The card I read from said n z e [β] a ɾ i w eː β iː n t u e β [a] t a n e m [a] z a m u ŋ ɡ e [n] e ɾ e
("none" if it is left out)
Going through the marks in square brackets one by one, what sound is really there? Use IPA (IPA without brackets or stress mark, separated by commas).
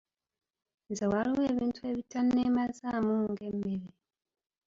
w, i, a, m